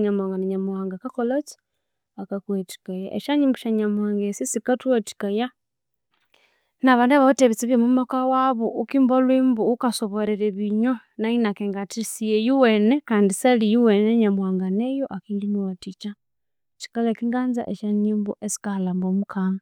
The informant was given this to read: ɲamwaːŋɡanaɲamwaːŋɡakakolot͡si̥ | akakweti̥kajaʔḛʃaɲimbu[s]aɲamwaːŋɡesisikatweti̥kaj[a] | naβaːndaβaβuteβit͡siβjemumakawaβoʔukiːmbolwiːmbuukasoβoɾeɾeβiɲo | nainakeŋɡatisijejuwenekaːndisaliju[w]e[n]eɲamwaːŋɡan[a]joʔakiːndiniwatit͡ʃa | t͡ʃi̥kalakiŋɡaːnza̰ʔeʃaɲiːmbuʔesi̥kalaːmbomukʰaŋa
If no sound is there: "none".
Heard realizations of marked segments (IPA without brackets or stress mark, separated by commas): ʃ, a, w, n, e